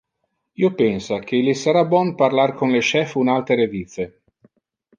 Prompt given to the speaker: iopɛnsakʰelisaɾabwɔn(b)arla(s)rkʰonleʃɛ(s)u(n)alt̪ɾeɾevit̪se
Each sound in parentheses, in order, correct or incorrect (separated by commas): incorrect, incorrect, incorrect, correct